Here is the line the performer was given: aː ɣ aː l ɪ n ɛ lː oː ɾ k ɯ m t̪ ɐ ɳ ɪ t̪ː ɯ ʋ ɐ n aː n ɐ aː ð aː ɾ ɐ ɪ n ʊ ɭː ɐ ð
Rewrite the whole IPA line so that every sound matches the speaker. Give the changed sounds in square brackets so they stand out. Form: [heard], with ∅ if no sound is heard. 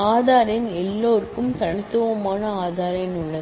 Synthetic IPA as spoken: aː [ð] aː [ɾ] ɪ n ɛ lː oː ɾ k ɯ m t̪ ɐ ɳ ɪ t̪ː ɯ ʋ ɐ [m] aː n ɐ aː ð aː ɾ ɐ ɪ n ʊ ɭː ɐ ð